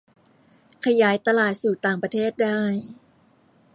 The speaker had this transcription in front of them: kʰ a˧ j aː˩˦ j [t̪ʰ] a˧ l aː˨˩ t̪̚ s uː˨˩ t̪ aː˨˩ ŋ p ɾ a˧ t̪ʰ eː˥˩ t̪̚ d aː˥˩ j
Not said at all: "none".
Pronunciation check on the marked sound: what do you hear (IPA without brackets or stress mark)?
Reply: t̪